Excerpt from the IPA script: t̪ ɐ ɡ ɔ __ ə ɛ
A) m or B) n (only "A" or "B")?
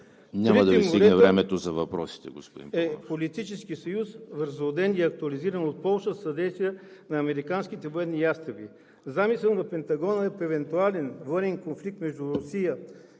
B